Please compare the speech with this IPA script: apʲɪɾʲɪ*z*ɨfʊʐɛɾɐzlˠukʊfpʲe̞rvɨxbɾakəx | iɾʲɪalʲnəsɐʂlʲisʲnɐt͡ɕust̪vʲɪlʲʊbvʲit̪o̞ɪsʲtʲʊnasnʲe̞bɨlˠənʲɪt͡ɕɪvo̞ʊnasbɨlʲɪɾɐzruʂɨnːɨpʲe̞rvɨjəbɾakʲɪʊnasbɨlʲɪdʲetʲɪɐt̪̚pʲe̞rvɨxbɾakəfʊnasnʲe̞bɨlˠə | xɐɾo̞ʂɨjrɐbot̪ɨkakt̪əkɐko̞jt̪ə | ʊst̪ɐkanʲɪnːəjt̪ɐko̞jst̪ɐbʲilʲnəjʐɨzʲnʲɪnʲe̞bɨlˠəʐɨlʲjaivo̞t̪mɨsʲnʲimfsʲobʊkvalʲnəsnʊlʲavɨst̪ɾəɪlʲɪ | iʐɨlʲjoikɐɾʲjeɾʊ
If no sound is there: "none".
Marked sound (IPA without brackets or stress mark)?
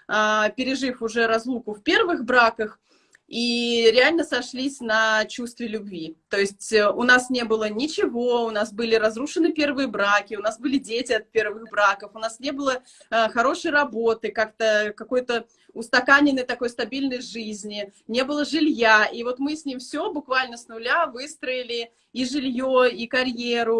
ʐ